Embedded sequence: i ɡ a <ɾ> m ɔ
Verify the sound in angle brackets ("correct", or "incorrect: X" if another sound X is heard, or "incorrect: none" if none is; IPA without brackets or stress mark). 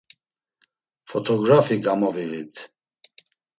incorrect: none